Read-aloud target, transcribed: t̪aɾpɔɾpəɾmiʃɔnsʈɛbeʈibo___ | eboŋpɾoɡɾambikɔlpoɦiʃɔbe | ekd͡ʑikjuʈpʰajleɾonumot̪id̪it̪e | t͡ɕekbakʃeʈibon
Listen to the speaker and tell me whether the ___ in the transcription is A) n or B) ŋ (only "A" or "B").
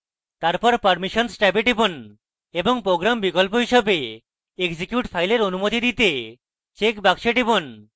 A